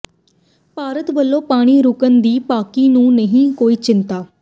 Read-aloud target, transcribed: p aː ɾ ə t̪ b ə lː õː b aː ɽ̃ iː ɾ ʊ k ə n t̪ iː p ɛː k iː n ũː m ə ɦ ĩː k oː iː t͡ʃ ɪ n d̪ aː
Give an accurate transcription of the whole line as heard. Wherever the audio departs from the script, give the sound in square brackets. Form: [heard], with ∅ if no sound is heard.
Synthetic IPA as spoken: p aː ɾ ə t̪ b ə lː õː [p] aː ɽ̃ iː ɾ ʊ k ə n [d̪] iː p [aː] k iː n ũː [n] ə ɦ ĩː k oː iː t͡ʃ ɪ n [t̪] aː

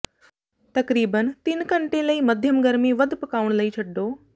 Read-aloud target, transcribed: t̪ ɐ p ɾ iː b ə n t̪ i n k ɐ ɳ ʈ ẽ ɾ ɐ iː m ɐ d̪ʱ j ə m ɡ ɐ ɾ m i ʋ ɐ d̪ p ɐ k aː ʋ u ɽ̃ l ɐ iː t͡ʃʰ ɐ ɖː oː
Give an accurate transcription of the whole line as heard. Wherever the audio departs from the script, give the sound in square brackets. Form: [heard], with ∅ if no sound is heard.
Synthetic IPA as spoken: t̪ ɐ [k] ɾ iː b ə n t̪ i n k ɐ ɳ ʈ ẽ [l] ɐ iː m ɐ d̪ʱ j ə m ɡ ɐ ɾ m i ʋ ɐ d̪ p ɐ k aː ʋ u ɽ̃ l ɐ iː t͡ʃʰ ɐ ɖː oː

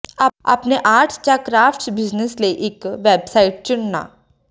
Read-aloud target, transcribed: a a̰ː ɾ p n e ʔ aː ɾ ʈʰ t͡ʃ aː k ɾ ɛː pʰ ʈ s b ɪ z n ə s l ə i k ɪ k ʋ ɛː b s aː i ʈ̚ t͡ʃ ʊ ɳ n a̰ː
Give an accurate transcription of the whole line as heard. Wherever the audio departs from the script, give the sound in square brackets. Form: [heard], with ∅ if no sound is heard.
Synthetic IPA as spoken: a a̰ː [∅] p n e ʔ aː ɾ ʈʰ t͡ʃ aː k ɾ [aː] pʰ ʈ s b ɪ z n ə s l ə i [ʔ] ɪ k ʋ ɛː b s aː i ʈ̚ t͡ʃ ʊ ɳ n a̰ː

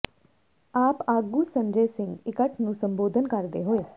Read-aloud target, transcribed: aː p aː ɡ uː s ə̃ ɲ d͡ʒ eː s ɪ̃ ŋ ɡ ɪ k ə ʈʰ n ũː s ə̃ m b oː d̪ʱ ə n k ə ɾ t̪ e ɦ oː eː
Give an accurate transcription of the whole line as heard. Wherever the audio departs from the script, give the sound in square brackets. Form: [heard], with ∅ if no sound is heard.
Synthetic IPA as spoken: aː p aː ɡ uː s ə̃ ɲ d͡ʒ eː s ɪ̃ ŋ ɡ ɪ k ə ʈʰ n ũː s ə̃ m b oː d̪ʱ ə n k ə ɾ [d̪] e ɦ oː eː

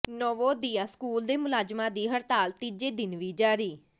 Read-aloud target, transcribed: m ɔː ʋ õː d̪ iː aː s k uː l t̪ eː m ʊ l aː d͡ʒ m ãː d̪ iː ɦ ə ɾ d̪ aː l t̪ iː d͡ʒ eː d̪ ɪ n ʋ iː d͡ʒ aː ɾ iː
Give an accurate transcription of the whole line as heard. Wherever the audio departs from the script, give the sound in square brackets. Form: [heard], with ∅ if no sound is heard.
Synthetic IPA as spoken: [n] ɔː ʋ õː d̪ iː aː s k uː l [d̪] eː m ʊ l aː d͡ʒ m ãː d̪ iː ɦ ə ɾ [t̪] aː l t̪ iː d͡ʒ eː d̪ ɪ n ʋ iː d͡ʒ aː ɾ iː

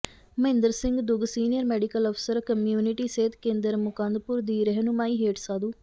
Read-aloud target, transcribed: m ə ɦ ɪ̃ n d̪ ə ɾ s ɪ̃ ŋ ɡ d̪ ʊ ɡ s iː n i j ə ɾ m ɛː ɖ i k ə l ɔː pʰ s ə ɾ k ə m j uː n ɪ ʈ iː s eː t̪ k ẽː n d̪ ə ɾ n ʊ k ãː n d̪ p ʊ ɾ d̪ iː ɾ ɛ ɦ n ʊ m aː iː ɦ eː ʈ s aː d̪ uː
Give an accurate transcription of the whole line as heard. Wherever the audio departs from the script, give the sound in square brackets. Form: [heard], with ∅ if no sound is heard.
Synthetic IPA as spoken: m ə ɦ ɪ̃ n d̪ ə ɾ s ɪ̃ ŋ ɡ d̪ ʊ ɡ s iː n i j ə ɾ m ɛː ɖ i k ə l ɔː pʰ s ə ɾ k ə m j uː n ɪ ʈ iː s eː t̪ k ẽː n d̪ ə ɾ [m] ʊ k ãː n d̪ p ʊ ɾ d̪ iː ɾ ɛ ɦ n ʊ m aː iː ɦ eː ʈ s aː d̪ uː

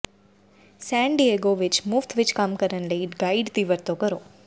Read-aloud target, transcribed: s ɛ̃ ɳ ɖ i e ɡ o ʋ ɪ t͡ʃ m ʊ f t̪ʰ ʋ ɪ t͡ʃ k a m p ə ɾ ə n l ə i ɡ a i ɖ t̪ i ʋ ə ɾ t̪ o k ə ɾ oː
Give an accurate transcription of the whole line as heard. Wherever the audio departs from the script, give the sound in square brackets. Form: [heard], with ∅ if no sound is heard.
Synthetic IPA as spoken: s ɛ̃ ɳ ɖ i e ɡ o ʋ ɪ t͡ʃ m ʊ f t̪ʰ ʋ ɪ t͡ʃ k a m [k] ə ɾ ə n l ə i ɡ a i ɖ t̪ i ʋ ə ɾ t̪ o k ə ɾ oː

